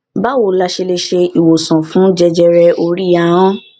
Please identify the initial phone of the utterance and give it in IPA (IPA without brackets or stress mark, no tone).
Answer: b